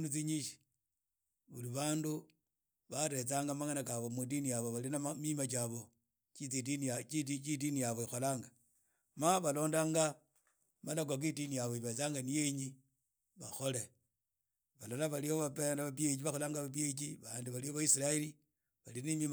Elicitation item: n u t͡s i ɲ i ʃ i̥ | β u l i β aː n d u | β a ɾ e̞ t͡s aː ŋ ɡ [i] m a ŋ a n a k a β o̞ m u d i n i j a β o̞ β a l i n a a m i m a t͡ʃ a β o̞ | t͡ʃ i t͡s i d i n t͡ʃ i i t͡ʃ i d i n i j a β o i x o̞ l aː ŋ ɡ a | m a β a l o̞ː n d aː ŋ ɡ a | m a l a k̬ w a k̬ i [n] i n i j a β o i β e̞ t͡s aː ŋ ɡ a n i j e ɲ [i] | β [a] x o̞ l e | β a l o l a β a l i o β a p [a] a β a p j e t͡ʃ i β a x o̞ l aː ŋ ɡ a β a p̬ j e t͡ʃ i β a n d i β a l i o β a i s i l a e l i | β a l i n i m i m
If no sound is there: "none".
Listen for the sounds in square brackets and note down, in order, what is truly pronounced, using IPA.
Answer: a, d, i, a, e

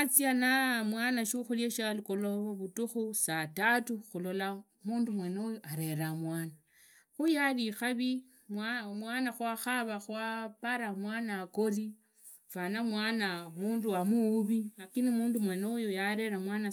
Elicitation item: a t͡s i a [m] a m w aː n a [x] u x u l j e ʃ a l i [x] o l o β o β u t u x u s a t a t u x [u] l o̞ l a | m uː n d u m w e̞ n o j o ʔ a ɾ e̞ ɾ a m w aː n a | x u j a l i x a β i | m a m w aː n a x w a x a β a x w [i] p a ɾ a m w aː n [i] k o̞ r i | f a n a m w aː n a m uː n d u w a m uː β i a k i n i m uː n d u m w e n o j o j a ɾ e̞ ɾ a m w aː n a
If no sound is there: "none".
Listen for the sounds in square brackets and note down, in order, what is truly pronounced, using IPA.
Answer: n, ʃ, k, u, a, a

